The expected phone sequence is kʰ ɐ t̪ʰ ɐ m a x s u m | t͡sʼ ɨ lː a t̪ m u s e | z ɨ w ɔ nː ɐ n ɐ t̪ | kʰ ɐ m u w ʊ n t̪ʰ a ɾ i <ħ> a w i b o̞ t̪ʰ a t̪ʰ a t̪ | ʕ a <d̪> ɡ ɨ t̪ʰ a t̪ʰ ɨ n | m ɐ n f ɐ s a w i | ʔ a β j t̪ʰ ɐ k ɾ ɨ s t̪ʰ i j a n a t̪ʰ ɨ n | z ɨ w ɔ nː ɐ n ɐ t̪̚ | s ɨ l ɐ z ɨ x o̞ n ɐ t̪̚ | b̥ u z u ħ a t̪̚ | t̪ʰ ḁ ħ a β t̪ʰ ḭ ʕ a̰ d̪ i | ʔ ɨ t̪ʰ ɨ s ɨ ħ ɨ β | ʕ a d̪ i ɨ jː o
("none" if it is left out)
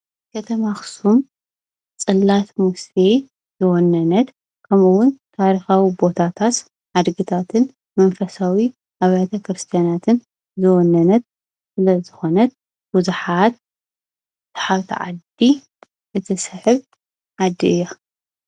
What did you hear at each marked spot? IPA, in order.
x, d̪

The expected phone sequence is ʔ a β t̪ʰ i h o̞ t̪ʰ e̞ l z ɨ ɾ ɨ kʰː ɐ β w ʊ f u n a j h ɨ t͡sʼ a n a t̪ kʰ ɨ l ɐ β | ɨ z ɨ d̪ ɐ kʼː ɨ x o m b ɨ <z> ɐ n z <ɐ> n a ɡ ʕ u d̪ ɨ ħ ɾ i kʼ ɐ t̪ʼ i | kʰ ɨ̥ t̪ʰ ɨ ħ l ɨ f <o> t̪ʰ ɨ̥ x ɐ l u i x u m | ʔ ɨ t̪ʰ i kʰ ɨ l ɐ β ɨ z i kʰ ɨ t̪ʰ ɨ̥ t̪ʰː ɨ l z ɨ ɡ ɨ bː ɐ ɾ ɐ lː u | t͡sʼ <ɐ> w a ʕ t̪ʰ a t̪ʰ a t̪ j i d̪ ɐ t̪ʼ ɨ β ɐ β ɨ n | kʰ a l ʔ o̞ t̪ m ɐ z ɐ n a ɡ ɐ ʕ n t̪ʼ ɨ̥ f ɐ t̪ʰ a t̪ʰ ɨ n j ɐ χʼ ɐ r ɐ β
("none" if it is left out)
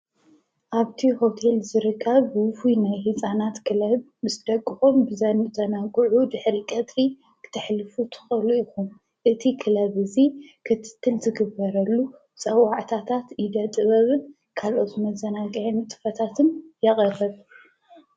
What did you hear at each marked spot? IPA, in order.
z, ɐ, u, ɐ

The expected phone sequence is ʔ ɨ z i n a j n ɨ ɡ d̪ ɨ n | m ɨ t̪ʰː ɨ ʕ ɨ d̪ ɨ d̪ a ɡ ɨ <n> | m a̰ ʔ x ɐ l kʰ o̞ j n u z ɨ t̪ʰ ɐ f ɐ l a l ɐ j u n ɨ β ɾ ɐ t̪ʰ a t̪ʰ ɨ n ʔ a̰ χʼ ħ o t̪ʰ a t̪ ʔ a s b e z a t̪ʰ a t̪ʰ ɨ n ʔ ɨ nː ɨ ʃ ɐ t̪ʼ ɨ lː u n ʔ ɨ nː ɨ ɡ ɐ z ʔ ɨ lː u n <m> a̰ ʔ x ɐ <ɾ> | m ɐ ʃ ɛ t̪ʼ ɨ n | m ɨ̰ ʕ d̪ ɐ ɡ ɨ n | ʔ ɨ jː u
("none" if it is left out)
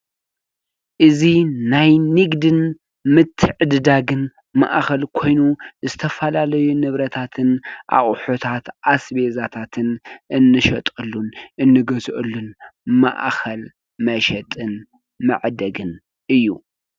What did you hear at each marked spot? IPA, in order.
n, m, l

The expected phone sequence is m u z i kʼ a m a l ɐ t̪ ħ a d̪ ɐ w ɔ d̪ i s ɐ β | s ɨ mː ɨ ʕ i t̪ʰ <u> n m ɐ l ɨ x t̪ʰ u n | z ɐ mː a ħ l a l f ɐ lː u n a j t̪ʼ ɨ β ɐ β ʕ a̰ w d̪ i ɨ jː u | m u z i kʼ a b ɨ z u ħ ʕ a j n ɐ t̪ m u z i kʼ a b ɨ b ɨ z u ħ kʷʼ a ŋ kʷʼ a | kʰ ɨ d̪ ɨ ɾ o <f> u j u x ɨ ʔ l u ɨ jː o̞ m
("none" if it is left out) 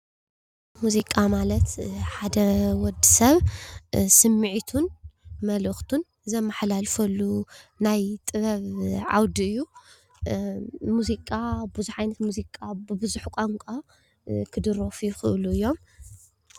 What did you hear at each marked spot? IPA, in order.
u, f

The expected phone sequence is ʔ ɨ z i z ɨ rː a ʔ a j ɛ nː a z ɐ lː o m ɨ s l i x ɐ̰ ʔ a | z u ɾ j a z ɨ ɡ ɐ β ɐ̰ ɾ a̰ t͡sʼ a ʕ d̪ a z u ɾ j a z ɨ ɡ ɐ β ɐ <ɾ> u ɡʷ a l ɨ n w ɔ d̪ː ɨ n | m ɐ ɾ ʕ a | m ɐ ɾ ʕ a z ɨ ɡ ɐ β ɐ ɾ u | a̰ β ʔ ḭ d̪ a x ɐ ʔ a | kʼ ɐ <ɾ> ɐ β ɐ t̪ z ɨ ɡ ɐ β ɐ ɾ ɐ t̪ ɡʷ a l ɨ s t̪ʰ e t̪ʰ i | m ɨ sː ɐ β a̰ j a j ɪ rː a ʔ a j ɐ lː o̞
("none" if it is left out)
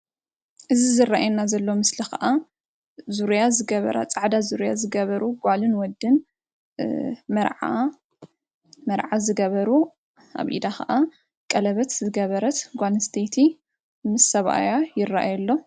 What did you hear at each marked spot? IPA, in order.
ɾ, l

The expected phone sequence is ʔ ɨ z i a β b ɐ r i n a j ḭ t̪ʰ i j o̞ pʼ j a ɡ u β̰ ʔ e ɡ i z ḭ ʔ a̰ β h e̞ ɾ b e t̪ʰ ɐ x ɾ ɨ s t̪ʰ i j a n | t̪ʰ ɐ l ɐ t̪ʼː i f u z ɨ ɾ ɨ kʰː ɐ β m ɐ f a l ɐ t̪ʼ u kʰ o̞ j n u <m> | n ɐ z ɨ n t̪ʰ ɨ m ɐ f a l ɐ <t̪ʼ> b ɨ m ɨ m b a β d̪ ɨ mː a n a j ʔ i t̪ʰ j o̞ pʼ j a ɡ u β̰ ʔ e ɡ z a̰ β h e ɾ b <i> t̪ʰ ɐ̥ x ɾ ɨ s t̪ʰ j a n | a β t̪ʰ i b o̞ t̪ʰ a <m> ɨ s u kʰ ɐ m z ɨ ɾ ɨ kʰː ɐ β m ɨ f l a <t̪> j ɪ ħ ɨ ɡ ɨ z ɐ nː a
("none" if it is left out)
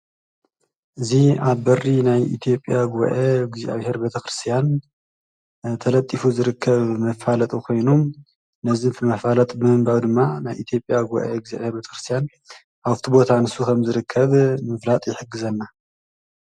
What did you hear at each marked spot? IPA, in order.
m, t̪ʼ, e, n, t̪ʼ

